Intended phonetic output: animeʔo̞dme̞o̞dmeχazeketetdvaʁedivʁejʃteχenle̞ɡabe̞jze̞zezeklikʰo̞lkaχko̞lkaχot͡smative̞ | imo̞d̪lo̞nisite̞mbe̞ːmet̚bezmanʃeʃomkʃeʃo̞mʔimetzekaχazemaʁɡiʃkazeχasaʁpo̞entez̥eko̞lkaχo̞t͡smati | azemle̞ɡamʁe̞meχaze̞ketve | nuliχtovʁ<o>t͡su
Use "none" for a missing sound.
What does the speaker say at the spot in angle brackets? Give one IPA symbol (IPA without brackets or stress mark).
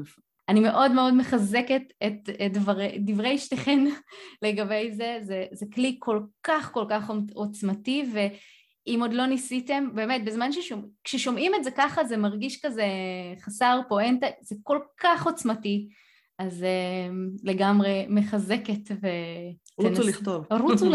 u